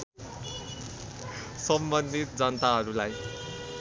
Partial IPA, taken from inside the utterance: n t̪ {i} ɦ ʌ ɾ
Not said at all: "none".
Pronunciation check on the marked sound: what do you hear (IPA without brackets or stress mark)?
a